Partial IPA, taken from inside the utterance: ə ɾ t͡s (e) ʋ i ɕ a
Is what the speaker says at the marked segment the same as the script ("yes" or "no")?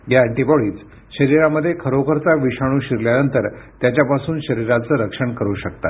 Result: no